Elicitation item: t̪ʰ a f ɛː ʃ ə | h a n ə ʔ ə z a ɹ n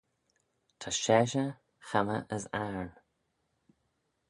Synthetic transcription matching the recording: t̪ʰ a ʃ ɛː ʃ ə | x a m ə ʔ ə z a ɹ n